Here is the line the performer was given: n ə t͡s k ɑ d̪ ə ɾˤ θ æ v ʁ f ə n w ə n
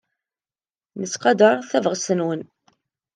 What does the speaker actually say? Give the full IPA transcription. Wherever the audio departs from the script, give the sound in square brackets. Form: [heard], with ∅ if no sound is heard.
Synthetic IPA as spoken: n ə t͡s [q] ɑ d̪ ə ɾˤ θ æ v ʁ [s] ə n w ə n